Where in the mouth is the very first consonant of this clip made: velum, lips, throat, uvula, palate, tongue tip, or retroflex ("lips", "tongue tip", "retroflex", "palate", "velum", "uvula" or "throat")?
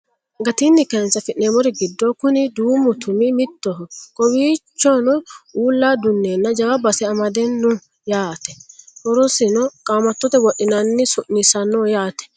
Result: velum